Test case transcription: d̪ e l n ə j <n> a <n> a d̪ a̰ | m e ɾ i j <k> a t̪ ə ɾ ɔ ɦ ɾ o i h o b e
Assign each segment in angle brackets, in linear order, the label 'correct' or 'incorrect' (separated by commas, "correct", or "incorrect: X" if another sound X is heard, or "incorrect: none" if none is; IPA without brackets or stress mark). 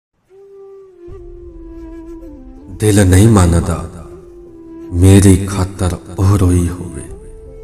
incorrect: m, correct, incorrect: kʰ